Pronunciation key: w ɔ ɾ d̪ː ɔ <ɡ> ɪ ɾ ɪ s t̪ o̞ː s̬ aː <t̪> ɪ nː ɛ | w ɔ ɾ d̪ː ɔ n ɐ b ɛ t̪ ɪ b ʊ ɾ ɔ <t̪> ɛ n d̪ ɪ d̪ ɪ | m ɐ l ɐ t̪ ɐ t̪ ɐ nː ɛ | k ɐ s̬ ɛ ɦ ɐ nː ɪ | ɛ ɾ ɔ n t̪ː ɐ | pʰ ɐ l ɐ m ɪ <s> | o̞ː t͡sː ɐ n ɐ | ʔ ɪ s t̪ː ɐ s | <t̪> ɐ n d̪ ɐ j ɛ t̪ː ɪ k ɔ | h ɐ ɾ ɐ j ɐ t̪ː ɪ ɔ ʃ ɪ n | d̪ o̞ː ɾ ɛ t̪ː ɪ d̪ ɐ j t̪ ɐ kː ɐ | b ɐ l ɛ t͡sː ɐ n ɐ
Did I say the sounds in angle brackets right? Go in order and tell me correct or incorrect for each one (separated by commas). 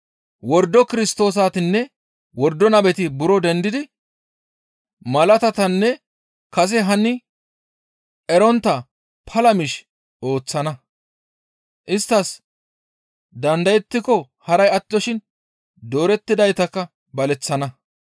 incorrect, correct, incorrect, incorrect, incorrect